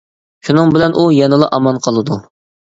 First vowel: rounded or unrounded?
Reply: rounded